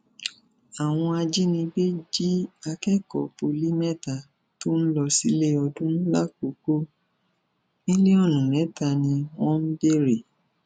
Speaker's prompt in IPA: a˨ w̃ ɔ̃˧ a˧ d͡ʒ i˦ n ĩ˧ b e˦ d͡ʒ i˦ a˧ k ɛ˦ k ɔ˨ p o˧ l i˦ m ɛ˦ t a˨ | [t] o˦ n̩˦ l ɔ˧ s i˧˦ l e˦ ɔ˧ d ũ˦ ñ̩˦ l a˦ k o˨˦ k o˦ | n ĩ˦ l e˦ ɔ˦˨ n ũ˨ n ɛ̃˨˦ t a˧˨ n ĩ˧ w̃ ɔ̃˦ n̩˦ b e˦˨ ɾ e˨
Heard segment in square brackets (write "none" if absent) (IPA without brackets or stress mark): t